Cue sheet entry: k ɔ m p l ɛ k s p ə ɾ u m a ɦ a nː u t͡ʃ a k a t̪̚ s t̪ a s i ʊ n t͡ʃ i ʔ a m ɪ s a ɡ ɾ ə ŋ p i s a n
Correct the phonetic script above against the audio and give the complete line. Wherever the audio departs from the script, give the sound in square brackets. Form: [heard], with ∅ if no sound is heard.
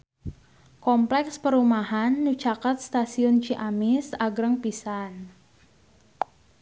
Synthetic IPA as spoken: k ɔ m p l ɛ k s p ə ɾ u m a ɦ a nː u t͡ʃ a k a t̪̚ s t̪ a s i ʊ n t͡ʃ i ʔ a m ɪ s a ɡ ɾ ə ŋ p i s a n